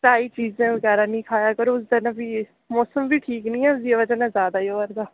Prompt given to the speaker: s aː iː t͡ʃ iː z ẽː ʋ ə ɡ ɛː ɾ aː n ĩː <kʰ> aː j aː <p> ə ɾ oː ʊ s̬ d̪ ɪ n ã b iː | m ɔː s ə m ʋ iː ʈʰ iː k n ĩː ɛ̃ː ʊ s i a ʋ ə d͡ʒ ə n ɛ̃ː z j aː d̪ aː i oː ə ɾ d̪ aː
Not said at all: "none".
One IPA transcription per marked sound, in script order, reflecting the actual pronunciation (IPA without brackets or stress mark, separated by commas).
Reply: kʰ, k